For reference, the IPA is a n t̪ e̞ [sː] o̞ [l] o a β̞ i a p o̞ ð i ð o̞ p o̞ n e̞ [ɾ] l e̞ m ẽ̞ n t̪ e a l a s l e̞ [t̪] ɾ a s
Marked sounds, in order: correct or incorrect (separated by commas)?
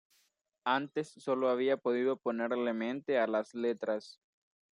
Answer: correct, correct, correct, correct